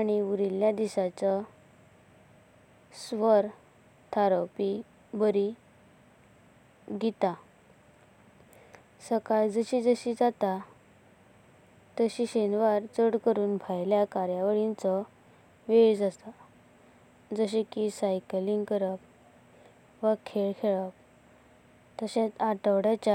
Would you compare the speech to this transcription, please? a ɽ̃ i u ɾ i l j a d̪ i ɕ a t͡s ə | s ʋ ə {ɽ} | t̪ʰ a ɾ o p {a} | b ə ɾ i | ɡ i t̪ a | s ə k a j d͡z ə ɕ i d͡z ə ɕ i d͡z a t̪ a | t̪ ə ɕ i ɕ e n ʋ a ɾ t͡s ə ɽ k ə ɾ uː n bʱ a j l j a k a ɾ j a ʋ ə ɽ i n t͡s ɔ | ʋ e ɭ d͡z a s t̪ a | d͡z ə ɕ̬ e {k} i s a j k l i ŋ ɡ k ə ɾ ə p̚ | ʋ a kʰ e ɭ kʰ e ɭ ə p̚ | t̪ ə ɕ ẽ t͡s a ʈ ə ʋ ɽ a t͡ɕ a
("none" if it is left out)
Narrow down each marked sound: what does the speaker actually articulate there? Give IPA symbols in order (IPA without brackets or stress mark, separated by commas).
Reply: ɾ, i, k